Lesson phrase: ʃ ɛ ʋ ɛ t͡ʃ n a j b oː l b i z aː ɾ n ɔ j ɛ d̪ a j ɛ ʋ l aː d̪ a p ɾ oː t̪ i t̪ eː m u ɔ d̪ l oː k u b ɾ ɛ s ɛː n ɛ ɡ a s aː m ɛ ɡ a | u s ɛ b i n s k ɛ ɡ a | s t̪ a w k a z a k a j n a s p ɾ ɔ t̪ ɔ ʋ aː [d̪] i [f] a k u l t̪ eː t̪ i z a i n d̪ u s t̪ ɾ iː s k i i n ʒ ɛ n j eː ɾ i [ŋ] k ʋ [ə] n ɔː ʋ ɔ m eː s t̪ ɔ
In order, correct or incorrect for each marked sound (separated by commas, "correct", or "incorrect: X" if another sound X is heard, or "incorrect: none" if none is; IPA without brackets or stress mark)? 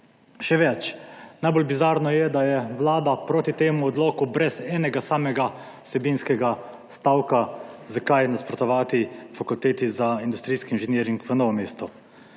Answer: incorrect: t̪, correct, correct, correct